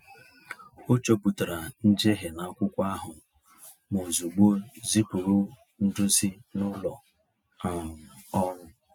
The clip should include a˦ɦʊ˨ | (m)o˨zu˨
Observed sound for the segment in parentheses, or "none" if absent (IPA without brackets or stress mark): m